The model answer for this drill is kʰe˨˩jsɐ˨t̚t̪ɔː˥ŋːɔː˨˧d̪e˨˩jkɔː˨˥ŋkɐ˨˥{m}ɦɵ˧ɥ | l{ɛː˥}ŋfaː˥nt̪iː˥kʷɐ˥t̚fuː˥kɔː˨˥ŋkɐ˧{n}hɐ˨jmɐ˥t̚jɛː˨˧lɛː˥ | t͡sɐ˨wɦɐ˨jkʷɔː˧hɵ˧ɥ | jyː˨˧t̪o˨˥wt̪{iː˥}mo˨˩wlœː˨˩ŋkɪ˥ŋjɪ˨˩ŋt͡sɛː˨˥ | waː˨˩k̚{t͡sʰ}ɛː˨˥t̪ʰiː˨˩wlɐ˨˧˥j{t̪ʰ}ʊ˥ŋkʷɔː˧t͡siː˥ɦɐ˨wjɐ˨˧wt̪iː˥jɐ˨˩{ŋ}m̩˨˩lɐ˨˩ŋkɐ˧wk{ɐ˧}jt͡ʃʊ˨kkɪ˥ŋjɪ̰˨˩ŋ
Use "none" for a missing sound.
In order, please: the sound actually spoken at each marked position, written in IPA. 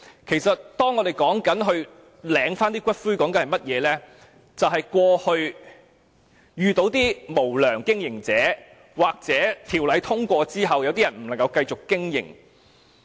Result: n, ɛː˨˧˥, n, iː˥, t͡s, t̪ʰ, n, ɐ˧

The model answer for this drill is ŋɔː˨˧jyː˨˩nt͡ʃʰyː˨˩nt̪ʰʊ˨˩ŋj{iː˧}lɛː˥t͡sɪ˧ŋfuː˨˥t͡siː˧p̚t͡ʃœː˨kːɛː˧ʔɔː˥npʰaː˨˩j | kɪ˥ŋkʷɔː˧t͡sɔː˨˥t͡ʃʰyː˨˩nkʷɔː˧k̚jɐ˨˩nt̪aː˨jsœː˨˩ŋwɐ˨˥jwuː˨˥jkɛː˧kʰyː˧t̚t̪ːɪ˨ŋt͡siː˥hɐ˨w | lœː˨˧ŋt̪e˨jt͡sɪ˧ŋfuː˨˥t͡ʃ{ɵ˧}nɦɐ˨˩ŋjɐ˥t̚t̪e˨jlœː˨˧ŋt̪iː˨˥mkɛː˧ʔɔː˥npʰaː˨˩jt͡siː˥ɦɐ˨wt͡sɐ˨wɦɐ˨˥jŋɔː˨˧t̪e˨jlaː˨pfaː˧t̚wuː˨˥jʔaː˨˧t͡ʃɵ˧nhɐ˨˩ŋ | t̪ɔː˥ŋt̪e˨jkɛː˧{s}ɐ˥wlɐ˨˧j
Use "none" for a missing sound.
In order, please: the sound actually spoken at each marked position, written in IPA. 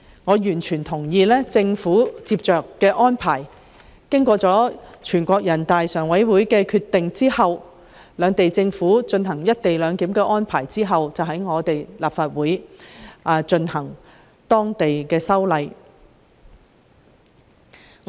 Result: iː˧, ɵ˧, s

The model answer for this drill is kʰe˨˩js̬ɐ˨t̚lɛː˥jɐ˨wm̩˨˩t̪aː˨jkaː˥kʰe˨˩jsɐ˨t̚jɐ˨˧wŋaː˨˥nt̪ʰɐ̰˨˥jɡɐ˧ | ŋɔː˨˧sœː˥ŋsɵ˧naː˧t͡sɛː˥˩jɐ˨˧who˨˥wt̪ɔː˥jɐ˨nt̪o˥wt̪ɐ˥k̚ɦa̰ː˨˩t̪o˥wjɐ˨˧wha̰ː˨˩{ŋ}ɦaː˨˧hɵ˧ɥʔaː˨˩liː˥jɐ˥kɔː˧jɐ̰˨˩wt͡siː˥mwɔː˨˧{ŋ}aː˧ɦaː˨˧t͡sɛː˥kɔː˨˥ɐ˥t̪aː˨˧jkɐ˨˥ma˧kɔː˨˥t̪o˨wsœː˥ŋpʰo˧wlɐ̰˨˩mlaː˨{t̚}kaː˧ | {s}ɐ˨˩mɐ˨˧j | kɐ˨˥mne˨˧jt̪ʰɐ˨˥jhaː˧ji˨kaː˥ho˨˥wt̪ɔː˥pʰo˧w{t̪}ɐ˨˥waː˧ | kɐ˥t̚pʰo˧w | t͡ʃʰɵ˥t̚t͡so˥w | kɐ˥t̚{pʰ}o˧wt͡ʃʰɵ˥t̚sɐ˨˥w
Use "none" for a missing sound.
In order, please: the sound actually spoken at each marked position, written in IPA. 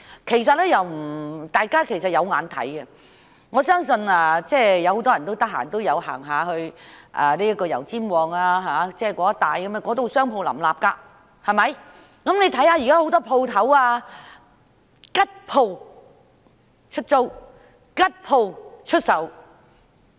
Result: ŋ, ŋ, p̚, h, t̪ʰ, pʰ

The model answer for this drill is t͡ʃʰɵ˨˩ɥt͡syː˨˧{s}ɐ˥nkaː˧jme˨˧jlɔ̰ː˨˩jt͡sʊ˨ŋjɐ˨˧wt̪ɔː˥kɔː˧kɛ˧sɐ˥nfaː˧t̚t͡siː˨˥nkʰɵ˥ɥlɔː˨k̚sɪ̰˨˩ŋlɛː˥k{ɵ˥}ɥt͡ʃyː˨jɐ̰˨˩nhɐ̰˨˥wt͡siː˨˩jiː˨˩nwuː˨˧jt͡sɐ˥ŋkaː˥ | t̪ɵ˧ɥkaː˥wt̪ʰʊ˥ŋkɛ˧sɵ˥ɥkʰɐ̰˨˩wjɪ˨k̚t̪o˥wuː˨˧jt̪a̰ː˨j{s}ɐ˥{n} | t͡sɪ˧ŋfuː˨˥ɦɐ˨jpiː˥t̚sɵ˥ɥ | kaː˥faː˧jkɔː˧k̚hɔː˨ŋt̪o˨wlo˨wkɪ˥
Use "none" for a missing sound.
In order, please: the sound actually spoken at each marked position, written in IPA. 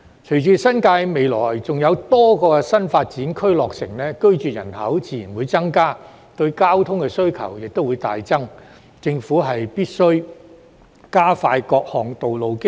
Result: s, ɵ˥, t͡s, ŋ

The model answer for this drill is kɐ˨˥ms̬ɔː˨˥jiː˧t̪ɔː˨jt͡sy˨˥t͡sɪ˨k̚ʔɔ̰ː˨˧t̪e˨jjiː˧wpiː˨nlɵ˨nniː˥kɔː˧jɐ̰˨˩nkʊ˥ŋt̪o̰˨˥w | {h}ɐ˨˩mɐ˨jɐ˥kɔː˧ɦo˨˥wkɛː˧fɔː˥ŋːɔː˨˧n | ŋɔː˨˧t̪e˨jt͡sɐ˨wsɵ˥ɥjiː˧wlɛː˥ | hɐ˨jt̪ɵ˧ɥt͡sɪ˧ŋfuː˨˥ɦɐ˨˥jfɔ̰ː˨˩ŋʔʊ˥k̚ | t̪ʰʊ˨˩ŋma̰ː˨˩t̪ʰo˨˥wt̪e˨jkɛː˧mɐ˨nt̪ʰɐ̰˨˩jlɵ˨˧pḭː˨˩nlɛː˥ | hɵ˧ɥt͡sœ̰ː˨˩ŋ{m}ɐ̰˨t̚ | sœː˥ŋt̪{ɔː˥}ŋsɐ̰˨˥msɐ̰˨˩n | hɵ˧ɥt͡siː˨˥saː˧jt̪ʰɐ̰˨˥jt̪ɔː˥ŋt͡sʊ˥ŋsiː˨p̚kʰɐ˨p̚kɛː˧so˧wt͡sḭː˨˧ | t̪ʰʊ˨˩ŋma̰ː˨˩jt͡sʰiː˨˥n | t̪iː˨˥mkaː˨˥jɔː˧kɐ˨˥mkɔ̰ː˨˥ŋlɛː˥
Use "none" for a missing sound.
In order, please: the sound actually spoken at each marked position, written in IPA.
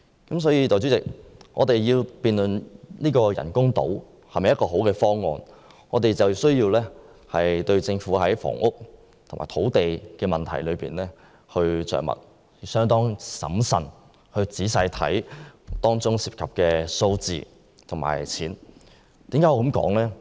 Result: h, m, ɔː˥

